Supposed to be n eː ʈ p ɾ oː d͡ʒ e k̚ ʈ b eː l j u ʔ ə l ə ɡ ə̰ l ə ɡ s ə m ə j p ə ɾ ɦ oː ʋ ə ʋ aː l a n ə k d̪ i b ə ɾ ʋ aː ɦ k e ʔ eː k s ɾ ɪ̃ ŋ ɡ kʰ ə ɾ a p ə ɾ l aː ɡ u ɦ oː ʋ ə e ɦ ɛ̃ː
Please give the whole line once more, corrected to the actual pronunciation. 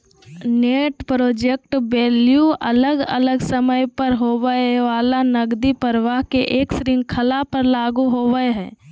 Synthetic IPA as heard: n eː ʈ p ɾ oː d͡ʒ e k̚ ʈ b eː l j u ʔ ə l ə ɡ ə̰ l ə ɡ s ə m ə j p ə ɾ ɦ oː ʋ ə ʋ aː l a n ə ɡ d̪ i p ə ɾ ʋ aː ɦ k e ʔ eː k s ɾ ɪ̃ ŋ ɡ kʰ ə l a p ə ɾ l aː ɡ u ɦ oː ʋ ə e ɦ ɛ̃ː